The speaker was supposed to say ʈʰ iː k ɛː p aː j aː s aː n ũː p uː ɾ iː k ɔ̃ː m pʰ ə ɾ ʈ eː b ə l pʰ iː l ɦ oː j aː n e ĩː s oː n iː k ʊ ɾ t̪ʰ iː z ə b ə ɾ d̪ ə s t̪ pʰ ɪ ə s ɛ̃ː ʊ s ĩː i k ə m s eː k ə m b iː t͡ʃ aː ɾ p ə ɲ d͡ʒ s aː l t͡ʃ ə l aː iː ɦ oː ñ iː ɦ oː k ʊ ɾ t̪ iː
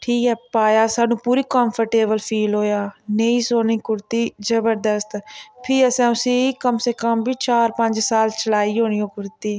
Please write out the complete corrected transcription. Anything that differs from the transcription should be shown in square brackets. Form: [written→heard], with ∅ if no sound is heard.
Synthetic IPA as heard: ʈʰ iː k ɛː p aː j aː s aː n ũː p uː ɾ iː k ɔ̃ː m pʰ ə ɾ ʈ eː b ə l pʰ iː l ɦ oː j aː n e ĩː s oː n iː k ʊ ɾ [t̪ʰ→t̪] iː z ə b ə ɾ d̪ ə s t̪ pʰ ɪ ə s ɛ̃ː ʊ s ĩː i k ə m s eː k ə m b iː t͡ʃ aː ɾ p ə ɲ d͡ʒ s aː l t͡ʃ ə l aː iː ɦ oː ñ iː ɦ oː k ʊ ɾ t̪ iː